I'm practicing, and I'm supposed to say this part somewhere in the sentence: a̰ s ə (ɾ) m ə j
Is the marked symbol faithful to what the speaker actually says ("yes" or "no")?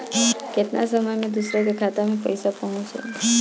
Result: no